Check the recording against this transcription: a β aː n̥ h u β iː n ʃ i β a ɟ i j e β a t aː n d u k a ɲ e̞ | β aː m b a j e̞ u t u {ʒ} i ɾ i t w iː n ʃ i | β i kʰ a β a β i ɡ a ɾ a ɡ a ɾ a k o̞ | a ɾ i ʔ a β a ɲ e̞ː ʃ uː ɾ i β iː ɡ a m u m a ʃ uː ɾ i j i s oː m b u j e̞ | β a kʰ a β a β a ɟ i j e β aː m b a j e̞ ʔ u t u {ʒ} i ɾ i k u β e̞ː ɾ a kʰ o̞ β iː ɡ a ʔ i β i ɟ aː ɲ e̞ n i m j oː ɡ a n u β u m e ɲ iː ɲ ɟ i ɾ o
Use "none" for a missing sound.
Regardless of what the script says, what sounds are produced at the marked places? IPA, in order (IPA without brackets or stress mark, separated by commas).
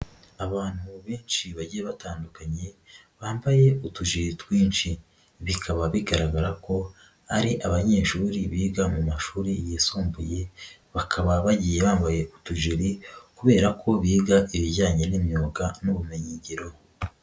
ʒ, ʒ